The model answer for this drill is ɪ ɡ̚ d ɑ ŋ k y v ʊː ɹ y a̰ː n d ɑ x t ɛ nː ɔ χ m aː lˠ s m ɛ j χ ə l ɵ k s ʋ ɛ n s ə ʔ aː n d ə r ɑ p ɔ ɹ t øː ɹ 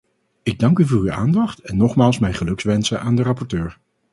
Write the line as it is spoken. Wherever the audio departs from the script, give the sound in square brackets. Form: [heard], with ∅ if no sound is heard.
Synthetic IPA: ɪ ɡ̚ d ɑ ŋ k y v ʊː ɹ y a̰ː n d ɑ [χ] t ɛ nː ɔ χ m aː lˠ s m ɛ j χ ə l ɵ k s ʋ ɛ n s ə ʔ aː n d ə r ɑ p ɔ ɹ t øː ɹ